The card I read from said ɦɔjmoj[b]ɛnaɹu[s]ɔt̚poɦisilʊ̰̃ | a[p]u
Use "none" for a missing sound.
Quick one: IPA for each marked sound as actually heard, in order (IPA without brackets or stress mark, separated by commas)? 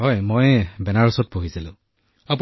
b, s, p